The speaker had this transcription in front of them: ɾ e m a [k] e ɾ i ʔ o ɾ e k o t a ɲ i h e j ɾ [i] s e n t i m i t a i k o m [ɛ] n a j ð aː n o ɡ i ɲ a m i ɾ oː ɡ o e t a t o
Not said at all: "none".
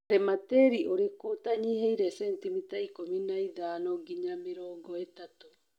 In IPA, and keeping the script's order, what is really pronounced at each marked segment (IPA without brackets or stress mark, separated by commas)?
t, e, i